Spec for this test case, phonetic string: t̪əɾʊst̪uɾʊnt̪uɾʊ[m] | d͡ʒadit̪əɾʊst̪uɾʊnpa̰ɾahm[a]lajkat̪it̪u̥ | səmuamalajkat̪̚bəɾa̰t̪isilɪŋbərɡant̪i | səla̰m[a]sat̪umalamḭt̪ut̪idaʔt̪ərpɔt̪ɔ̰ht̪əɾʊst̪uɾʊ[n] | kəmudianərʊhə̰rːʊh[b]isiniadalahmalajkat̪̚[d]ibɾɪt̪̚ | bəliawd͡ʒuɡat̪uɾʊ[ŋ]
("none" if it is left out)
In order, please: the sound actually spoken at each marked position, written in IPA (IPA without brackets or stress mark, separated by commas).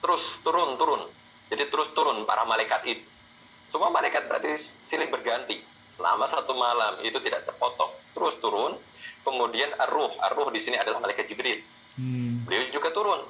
n, a, a, n, d, d͡ʒ, n